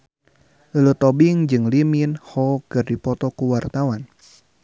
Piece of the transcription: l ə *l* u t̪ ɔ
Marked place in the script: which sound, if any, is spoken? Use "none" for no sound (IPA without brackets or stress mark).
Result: l